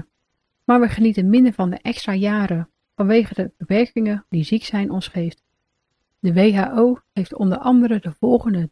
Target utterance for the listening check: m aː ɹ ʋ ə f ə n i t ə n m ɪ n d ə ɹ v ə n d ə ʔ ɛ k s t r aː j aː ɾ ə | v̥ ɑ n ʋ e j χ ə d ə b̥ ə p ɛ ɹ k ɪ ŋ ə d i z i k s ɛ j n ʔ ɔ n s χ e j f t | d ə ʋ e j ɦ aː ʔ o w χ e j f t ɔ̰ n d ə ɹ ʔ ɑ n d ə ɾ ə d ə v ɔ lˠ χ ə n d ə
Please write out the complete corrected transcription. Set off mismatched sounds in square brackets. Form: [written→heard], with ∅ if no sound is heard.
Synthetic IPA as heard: m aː ɹ ʋ ə [f→χ] ə n i t ə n m ɪ n d ə ɹ v [ə→ɑ] n d ə ʔ ɛ k s t r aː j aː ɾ ə | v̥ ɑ n ʋ e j χ ə d ə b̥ ə p ɛ ɹ k ɪ ŋ ə d i z i k s ɛ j n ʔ ɔ n s χ e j f t | d ə ʋ e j ɦ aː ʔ o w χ e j f t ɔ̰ n d ə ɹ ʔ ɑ n d ə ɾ ə d ə v ɔ lˠ χ ə n d ə